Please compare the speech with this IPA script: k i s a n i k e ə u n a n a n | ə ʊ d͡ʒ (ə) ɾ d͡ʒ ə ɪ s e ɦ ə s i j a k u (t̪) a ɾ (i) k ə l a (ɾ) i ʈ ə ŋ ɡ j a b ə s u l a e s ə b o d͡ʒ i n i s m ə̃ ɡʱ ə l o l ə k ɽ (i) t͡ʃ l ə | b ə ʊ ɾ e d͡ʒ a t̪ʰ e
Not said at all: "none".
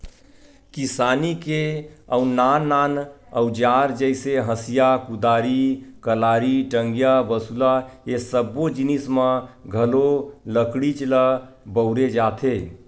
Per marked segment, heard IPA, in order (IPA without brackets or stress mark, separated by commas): a, d̪, i, ɾ, i